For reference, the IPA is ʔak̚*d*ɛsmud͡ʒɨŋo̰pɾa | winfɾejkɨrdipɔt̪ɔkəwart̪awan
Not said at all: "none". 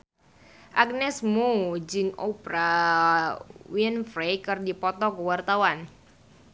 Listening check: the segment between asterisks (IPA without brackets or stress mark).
n